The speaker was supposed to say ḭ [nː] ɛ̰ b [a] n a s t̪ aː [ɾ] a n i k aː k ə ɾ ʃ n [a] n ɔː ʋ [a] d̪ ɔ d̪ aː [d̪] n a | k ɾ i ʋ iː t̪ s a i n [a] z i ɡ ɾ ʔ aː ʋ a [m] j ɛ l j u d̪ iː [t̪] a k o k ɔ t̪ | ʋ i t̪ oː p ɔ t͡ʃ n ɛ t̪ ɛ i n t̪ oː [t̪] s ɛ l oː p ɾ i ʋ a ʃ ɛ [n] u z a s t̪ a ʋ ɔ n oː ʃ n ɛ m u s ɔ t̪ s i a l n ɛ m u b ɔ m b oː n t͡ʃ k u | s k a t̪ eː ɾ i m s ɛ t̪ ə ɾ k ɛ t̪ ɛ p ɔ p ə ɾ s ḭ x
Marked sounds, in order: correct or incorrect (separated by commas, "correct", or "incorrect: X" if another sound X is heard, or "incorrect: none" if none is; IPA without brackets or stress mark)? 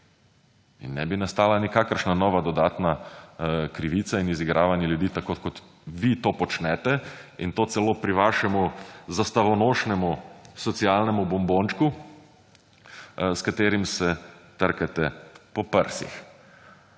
correct, incorrect: i, incorrect: l, correct, correct, incorrect: t̪, incorrect: i, incorrect: n, correct, correct, incorrect: m